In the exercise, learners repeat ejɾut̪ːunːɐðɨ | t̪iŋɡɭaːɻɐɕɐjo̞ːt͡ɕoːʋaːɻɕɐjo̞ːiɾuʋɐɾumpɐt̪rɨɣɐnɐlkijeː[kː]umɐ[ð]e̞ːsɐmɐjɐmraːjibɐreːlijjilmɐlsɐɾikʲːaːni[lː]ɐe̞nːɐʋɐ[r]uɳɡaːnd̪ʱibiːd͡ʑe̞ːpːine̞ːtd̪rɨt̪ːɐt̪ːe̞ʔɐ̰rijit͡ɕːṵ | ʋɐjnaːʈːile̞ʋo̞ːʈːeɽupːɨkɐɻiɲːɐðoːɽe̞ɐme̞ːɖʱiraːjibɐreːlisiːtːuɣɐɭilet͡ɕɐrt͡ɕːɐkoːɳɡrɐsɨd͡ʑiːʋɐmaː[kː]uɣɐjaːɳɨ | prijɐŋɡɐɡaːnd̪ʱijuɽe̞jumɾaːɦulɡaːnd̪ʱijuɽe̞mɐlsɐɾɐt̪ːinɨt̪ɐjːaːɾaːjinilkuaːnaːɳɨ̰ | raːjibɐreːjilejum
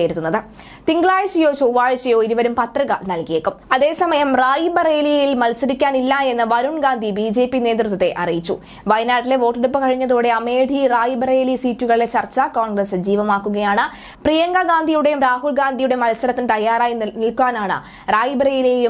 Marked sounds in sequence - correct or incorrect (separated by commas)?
correct, correct, correct, incorrect, correct